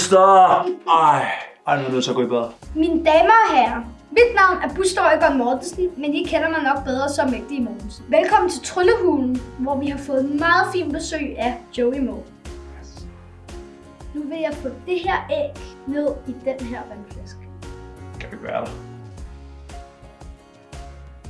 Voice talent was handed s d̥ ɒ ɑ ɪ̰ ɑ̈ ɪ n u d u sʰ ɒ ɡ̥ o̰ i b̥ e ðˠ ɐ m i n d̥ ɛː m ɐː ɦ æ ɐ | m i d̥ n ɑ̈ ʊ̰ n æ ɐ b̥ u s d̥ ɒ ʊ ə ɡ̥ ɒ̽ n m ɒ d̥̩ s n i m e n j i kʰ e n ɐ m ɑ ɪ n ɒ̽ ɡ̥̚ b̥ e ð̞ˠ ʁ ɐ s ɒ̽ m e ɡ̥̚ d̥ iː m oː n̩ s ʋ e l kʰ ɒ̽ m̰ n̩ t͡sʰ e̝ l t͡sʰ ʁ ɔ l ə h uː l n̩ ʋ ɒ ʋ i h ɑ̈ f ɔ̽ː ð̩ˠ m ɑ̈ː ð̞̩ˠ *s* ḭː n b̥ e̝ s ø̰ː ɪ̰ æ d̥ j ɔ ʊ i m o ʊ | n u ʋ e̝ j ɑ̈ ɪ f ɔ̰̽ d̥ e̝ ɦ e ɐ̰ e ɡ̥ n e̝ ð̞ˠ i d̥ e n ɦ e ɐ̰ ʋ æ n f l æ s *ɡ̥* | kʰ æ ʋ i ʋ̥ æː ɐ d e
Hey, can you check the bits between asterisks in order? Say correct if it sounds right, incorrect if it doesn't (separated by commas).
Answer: incorrect, correct